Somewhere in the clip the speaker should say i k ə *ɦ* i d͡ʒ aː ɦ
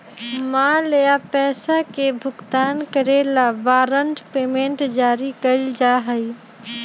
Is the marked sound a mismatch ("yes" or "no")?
yes